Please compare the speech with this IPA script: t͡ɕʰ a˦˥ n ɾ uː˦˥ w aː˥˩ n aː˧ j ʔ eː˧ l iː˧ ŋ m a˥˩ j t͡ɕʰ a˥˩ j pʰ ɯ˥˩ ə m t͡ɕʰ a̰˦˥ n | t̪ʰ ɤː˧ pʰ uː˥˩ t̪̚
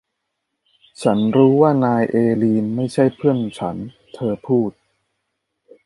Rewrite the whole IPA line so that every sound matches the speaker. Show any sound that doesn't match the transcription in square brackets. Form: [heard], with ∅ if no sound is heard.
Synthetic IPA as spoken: t͡ɕʰ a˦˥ n ɾ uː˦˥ w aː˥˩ n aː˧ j ʔ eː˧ l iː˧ [n] m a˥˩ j t͡ɕʰ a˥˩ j pʰ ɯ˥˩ ə [n] t͡ɕʰ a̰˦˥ n | t̪ʰ ɤː˧ pʰ uː˥˩ t̪̚